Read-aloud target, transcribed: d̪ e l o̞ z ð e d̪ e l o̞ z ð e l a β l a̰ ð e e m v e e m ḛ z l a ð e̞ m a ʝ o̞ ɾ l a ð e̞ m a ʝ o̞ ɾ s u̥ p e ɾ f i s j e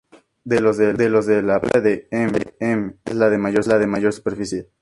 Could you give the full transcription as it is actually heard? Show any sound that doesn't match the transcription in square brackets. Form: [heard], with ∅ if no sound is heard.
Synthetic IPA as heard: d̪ e l o̞ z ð e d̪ e l o̞ z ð e l a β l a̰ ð e e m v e e m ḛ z l a ð e̞ m a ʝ o̞ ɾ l a ð e̞ m a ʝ o̞ ɾ s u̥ p e ɾ f i s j e